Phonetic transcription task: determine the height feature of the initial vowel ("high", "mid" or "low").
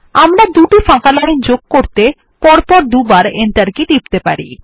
low